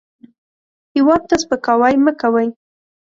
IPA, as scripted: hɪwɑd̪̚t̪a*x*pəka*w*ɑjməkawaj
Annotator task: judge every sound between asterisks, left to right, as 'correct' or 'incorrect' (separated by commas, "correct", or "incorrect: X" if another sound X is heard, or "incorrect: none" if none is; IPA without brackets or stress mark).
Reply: incorrect: s, correct